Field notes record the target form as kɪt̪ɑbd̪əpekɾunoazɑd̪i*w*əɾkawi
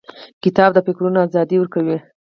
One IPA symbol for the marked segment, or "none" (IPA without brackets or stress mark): w